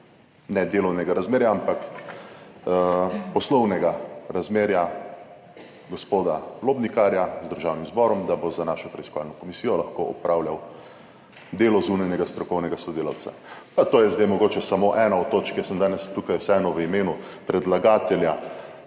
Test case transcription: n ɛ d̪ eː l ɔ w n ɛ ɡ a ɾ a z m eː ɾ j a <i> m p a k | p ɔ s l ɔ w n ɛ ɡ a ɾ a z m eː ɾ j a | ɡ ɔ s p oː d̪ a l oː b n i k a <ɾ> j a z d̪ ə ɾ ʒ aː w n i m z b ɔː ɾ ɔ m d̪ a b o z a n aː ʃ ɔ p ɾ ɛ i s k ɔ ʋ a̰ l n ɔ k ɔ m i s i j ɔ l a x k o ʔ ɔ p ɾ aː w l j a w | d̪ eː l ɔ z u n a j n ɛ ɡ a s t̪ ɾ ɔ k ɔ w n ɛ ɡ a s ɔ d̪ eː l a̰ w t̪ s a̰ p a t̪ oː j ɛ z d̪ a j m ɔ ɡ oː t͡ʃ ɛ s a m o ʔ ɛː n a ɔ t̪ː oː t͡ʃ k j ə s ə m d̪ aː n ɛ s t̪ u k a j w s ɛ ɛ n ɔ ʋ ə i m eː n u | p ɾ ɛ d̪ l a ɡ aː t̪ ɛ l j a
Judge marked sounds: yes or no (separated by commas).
no, yes